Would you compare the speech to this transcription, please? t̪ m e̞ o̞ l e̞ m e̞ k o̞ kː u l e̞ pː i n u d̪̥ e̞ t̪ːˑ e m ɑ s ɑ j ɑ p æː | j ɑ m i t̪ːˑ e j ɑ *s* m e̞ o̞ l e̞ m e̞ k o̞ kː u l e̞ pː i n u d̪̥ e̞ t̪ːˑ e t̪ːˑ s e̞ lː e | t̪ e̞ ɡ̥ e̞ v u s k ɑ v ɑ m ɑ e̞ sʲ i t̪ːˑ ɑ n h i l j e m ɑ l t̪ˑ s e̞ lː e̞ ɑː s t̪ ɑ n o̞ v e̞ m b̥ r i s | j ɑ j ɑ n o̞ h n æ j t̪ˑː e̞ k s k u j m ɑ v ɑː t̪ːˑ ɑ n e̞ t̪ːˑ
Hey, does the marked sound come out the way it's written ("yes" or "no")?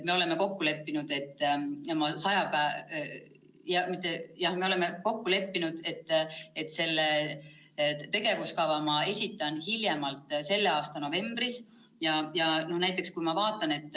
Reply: no